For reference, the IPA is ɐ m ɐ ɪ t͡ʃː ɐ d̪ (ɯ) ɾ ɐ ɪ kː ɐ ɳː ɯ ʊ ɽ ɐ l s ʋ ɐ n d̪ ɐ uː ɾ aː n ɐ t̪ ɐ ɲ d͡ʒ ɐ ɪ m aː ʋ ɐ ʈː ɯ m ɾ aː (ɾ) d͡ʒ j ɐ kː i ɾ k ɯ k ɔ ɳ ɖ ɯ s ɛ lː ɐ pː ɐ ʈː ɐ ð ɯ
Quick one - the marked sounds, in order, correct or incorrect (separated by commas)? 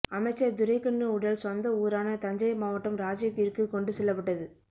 incorrect, incorrect